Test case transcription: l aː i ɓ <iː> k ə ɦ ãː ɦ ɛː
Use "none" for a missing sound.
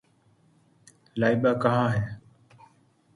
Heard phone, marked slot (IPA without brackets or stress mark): aː